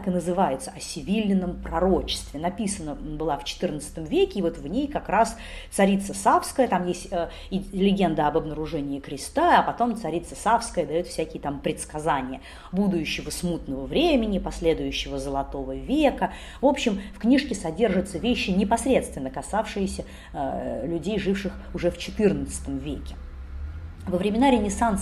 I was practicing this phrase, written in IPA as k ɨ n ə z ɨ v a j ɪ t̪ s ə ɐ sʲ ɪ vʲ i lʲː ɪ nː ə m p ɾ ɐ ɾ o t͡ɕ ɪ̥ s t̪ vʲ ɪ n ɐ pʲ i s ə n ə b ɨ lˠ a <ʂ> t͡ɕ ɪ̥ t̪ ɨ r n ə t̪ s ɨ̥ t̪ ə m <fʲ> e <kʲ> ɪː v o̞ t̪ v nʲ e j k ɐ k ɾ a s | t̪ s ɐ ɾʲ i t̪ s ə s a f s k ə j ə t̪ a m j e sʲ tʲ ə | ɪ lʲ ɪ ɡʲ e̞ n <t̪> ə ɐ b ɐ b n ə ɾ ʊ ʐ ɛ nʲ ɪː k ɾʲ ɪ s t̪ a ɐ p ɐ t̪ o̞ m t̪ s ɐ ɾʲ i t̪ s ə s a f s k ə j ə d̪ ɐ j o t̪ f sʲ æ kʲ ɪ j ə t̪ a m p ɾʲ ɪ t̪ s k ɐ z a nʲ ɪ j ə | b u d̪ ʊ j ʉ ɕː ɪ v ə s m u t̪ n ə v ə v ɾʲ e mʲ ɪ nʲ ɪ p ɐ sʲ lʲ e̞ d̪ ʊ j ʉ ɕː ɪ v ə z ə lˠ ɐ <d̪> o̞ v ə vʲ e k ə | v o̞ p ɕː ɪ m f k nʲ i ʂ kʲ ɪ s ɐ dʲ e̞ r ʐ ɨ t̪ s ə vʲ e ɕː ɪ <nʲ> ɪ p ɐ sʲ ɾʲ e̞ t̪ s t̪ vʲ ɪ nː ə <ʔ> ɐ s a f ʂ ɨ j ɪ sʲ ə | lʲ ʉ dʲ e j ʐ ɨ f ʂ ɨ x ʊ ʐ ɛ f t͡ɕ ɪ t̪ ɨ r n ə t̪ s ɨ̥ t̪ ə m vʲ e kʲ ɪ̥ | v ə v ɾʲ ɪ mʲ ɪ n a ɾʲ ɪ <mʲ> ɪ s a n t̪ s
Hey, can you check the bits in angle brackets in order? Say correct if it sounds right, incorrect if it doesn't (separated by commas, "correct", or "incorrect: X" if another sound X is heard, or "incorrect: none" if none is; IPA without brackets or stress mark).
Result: incorrect: f, incorrect: vʲ, correct, incorrect: d̪, incorrect: t̪, correct, incorrect: k, incorrect: nʲ